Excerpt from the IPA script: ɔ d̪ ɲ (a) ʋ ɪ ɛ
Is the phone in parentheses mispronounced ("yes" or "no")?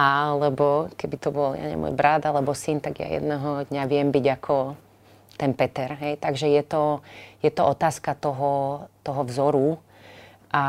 no